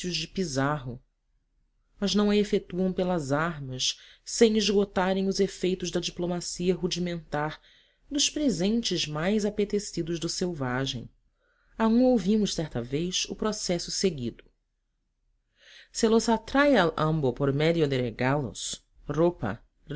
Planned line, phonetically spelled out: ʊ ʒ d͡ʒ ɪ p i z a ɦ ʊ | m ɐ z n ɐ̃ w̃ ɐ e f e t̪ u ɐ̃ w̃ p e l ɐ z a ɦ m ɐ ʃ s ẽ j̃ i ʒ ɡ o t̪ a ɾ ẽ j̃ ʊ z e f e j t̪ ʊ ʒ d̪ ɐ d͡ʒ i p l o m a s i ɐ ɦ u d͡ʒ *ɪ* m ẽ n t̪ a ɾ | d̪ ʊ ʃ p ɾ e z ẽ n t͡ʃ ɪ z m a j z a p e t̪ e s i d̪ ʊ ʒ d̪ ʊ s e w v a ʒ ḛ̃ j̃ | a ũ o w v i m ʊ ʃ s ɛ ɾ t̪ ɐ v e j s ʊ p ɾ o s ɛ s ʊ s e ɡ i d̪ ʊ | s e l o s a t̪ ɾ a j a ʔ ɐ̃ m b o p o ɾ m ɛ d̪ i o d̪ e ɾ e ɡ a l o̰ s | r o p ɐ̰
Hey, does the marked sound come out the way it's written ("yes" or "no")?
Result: no